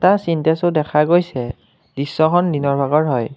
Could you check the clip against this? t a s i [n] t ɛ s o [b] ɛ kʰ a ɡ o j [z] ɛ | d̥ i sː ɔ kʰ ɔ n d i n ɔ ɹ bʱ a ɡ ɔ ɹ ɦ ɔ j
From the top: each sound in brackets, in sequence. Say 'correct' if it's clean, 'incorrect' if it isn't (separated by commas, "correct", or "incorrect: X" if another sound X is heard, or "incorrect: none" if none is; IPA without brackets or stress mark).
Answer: correct, incorrect: d, incorrect: s